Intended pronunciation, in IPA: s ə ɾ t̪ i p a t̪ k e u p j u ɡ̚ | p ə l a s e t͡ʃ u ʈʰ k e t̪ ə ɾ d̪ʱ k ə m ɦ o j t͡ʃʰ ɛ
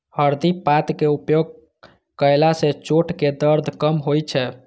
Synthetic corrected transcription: h ə ɾ d̪ i p a t̪ k e u p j o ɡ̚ | k ə l a s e t͡ʃ o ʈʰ k e d̪ ə ɾ d̪ʱ k ə m ɦ o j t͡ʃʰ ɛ